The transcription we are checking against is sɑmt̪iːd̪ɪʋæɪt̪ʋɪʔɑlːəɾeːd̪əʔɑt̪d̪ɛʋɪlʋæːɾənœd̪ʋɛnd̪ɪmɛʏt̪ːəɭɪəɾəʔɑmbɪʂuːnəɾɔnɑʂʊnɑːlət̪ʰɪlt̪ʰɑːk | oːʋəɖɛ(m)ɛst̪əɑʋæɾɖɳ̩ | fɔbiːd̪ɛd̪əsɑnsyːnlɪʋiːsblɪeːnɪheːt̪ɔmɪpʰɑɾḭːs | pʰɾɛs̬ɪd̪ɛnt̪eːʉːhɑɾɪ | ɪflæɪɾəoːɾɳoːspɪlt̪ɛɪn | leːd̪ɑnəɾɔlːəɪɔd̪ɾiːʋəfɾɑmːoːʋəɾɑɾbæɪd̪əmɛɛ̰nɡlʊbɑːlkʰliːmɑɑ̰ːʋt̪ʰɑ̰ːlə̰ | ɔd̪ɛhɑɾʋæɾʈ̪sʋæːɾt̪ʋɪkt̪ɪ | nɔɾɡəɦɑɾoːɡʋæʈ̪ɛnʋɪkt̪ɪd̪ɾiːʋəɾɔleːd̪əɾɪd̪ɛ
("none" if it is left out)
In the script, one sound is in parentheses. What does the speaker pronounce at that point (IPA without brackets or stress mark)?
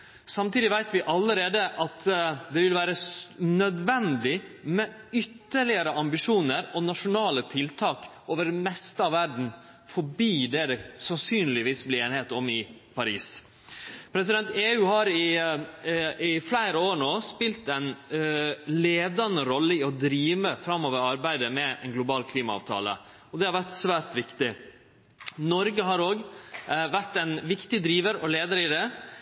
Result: m